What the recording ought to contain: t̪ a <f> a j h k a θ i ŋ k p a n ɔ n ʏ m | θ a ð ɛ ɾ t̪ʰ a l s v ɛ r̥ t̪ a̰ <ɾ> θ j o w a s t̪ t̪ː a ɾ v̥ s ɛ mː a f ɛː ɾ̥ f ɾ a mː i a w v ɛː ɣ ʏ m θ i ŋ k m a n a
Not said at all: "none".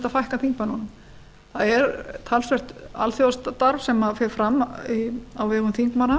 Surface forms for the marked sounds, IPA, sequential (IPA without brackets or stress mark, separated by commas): f, l